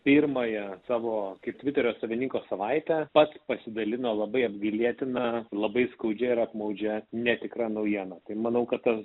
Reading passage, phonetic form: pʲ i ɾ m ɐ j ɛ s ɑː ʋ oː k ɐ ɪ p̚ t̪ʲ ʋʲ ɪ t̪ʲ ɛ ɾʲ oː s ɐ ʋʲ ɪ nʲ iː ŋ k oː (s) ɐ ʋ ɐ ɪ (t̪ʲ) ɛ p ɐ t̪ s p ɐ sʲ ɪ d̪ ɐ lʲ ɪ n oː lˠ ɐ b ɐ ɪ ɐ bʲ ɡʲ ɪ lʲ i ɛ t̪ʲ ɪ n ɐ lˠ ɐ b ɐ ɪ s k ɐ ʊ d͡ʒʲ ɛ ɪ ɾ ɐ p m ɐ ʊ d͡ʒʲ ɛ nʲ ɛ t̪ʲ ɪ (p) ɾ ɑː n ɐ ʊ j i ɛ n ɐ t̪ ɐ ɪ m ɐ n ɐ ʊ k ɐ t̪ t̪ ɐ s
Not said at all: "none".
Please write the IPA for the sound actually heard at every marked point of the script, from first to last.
s, t̪ʲ, k

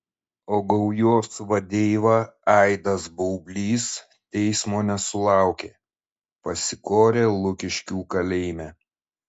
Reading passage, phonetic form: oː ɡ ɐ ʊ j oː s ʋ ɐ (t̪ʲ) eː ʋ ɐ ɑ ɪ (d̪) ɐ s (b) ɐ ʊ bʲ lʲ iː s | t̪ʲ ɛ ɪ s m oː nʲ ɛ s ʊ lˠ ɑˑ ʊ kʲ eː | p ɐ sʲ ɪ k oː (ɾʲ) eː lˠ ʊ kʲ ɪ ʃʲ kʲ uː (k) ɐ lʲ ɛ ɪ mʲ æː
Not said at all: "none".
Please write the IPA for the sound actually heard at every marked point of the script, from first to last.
d̪ʲ, d̪, b, ɾʲ, k

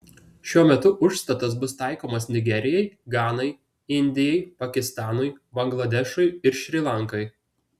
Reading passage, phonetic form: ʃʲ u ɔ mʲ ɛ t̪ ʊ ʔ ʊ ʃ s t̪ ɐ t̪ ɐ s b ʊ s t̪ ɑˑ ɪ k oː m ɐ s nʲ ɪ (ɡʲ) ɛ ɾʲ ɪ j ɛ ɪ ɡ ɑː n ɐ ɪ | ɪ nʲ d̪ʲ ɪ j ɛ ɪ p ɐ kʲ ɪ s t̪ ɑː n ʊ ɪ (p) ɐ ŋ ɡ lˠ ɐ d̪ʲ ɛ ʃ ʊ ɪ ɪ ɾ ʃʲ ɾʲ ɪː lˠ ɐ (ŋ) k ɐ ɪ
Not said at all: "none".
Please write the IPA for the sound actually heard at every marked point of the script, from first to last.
ɡʲ, b, ŋ

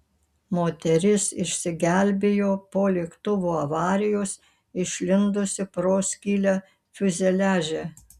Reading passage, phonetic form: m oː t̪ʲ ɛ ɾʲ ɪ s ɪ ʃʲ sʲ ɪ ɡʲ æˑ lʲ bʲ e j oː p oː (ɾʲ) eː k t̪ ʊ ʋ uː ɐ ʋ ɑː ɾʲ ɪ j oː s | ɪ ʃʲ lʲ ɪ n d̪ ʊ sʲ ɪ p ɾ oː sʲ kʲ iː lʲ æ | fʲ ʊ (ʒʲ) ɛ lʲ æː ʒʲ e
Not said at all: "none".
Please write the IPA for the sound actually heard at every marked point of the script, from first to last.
lʲ, zʲ

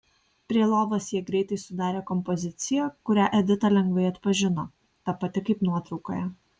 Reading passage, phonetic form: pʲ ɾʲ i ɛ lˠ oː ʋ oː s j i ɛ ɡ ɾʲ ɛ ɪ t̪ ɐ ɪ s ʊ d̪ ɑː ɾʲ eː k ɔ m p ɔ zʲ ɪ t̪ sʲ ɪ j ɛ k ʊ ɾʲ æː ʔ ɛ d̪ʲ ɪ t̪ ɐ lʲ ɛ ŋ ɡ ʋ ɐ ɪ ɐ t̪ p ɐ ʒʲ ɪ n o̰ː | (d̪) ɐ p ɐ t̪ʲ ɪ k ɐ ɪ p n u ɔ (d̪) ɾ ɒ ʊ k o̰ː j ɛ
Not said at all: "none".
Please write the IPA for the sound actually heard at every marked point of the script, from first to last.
t̪, t̪

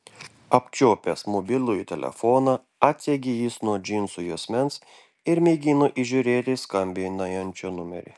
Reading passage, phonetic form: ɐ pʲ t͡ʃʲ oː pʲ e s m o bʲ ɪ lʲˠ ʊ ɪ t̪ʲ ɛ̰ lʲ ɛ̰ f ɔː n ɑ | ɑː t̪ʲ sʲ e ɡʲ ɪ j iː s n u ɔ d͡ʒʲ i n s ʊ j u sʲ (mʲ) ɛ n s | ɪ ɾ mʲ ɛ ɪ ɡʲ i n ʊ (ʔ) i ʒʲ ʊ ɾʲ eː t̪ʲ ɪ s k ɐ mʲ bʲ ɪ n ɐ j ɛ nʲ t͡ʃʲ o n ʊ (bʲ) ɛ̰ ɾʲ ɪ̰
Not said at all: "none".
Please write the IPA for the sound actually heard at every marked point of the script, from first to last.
mʲ, ʔ, mʲ

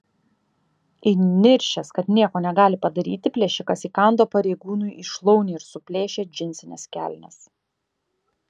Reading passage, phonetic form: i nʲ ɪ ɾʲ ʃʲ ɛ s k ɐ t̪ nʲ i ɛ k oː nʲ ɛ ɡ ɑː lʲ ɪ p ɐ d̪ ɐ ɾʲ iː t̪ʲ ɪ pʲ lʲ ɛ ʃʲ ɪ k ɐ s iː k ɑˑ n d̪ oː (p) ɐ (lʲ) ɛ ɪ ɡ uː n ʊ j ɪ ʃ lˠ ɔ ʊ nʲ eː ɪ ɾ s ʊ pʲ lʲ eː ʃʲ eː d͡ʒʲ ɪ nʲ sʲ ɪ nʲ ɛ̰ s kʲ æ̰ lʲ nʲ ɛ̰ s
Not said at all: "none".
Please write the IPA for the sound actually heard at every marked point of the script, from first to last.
p, ɾʲ

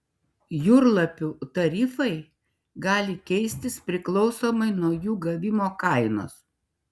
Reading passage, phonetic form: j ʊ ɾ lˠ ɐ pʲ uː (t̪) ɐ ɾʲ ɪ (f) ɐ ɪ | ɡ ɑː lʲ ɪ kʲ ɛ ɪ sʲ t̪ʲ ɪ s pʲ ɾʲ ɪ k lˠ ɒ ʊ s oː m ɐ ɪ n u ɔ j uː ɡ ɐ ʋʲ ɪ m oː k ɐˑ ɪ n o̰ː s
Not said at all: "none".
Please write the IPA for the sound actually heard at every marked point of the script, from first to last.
t̪, f

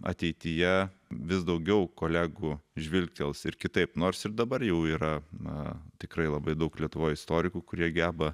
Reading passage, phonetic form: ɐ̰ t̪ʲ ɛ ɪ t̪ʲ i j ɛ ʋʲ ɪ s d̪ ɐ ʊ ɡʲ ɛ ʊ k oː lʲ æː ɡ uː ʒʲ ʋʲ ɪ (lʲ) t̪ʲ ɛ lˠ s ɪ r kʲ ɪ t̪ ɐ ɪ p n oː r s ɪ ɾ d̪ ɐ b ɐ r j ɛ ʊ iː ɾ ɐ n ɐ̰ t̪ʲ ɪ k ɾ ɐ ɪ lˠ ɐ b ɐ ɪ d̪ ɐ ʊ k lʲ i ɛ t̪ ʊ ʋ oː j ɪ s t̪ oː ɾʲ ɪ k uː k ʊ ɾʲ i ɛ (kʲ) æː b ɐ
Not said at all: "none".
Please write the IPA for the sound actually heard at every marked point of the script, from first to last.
lʲ, ɡʲ

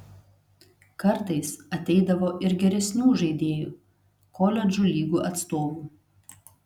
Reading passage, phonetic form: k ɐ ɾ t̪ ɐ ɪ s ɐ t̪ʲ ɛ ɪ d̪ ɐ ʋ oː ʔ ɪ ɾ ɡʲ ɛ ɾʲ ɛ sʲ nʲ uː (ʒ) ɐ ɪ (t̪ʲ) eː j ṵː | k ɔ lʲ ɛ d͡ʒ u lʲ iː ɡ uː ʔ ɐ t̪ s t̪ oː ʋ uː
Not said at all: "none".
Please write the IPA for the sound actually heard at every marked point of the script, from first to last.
ʒ, d̪ʲ

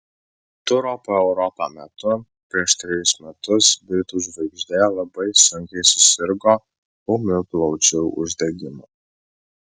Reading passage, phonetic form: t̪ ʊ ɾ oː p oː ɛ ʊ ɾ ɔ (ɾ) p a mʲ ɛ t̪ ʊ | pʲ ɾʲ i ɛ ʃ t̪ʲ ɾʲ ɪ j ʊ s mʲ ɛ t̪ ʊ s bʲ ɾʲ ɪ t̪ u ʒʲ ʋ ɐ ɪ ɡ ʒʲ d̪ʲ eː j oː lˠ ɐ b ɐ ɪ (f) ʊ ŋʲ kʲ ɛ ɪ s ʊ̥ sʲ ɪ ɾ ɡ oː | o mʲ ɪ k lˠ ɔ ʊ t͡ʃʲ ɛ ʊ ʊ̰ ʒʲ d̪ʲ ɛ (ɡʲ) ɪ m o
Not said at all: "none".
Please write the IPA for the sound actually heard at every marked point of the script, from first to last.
none, s, ɡʲ

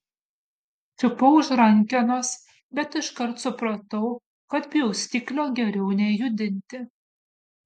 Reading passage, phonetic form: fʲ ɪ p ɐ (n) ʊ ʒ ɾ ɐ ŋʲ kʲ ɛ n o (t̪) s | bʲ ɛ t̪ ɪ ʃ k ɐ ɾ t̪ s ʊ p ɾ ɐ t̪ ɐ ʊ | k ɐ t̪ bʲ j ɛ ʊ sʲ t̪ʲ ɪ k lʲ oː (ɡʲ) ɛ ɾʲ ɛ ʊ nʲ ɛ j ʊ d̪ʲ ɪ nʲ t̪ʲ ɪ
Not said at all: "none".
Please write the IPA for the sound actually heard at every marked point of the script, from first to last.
none, none, ɡʲ

